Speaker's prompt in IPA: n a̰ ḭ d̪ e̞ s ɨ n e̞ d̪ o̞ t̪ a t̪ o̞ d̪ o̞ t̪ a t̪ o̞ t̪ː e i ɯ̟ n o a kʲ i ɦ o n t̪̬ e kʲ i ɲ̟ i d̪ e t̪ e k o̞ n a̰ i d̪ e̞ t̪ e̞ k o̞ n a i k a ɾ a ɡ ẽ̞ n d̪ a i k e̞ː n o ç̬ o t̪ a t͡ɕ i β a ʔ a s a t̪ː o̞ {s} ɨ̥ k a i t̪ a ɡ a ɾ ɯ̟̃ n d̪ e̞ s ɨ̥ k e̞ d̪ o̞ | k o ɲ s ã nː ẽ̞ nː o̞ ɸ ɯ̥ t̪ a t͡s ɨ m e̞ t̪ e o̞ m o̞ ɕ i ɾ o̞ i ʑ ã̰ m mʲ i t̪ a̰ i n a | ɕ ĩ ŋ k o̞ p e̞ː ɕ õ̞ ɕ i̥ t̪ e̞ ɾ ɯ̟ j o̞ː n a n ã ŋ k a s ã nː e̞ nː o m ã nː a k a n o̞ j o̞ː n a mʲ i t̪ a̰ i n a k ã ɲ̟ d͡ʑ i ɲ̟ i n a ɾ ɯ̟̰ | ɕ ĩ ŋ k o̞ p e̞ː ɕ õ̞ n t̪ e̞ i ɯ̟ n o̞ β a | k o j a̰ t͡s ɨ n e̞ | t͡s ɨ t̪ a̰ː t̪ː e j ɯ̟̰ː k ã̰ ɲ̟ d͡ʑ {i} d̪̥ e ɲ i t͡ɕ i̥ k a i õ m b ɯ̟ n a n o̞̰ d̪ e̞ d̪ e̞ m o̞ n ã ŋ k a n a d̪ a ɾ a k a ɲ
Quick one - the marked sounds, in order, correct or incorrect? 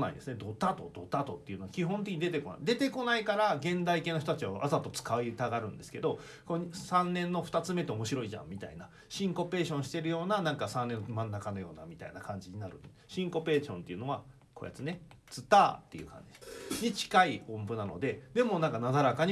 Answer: incorrect: t͡s, correct

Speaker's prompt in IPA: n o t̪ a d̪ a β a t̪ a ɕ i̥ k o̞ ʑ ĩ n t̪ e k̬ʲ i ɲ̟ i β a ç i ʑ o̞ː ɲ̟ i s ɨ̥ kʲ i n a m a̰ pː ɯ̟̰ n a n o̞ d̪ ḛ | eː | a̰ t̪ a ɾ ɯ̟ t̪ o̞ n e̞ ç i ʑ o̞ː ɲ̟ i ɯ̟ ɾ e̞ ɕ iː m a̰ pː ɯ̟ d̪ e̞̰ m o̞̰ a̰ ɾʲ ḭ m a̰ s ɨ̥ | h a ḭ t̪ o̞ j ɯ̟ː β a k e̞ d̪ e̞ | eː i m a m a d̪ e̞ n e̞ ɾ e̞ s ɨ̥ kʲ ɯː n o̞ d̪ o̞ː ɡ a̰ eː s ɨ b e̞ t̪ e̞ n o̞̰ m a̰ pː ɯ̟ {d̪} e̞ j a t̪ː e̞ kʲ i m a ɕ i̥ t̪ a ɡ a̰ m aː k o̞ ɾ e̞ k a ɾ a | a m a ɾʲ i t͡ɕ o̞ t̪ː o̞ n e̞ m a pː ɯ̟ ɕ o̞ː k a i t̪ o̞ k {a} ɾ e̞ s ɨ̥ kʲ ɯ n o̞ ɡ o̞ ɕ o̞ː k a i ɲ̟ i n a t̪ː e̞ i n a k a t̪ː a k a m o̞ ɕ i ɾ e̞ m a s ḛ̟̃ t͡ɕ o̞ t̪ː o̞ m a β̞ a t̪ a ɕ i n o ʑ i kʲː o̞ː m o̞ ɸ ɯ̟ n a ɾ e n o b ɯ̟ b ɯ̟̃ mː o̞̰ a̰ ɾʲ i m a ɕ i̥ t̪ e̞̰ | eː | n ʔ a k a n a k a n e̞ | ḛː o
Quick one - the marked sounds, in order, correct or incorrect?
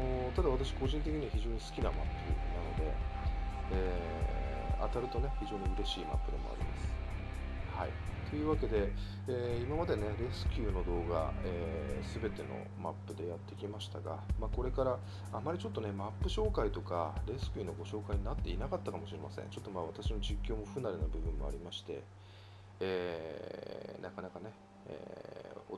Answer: correct, correct

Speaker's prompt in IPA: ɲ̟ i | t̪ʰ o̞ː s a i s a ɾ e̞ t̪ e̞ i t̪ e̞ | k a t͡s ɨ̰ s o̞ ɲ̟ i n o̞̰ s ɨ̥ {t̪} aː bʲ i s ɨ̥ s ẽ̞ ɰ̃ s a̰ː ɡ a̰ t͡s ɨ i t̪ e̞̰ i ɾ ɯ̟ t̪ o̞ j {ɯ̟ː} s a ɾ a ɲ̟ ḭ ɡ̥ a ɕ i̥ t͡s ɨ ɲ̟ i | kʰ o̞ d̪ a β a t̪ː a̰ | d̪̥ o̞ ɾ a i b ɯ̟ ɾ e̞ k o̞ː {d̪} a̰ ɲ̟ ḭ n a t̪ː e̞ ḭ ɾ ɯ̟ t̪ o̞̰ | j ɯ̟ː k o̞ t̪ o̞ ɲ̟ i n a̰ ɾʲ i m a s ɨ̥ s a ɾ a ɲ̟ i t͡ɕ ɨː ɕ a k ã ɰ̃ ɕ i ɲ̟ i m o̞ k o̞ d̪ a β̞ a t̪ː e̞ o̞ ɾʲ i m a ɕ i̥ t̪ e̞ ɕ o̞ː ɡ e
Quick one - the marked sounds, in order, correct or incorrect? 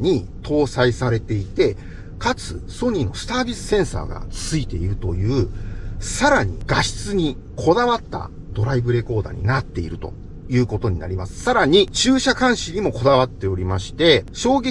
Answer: correct, correct, correct

